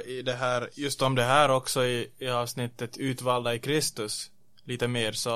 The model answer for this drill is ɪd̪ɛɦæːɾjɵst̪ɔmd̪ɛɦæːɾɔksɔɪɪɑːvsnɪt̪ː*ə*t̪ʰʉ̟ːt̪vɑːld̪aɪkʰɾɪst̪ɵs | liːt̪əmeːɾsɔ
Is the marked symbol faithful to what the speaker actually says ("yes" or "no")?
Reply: yes